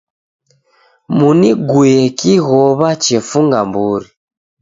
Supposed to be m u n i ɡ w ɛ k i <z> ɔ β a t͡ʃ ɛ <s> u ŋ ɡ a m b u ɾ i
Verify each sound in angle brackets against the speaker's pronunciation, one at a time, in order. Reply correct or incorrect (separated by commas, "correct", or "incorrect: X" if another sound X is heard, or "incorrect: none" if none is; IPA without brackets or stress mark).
incorrect: ɣ, incorrect: f